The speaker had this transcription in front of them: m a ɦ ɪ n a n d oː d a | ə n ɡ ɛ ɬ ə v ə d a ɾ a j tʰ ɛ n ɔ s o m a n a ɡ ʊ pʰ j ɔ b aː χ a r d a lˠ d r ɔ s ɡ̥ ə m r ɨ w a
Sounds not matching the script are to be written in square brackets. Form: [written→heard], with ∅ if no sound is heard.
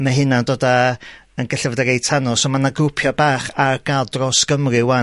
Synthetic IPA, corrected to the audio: m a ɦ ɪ n a n d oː d a | ə n ɡ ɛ ɬ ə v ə d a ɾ [a→e] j tʰ [ɛ→a] n ɔ s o m a n a ɡ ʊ pʰ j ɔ b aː χ a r [d→ɡ] a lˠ d r ɔ s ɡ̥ ə m r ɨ w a